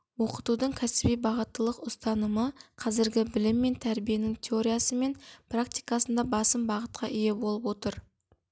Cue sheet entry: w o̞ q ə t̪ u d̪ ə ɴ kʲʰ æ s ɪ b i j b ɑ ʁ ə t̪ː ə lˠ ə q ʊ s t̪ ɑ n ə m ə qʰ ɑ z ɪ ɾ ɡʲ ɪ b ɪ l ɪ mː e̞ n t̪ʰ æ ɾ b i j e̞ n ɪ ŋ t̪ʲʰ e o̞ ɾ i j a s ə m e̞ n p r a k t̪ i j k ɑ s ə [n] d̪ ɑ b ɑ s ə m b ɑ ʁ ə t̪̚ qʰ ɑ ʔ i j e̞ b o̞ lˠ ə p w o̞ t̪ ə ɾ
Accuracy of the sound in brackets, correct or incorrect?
correct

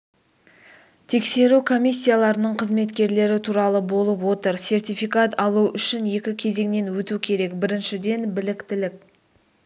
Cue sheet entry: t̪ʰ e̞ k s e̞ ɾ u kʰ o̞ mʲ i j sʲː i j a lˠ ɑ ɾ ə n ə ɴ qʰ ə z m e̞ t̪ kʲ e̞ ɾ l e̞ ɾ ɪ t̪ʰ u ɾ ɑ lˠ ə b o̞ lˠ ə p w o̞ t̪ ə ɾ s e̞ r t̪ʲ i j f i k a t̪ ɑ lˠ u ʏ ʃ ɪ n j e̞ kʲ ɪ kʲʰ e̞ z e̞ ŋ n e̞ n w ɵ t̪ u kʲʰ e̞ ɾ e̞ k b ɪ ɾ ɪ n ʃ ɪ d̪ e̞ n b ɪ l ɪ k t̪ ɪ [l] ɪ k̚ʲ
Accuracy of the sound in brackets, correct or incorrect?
correct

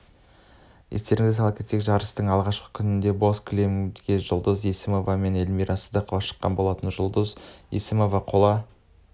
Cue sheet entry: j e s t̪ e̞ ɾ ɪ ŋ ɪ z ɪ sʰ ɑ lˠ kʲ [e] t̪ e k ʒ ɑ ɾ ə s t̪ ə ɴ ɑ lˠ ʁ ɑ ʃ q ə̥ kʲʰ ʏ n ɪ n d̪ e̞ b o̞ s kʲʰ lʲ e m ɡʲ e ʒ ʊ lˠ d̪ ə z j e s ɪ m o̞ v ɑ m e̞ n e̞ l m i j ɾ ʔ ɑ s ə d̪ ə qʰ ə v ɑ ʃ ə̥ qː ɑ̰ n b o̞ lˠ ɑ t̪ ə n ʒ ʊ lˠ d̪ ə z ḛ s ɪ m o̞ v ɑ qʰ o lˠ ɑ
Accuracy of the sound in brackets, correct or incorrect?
correct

